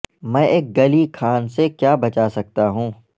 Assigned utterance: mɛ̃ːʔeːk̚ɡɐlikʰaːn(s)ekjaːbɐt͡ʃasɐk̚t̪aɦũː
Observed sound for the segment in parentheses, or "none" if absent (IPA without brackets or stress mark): s